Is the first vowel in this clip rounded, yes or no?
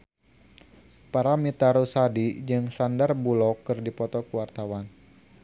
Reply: no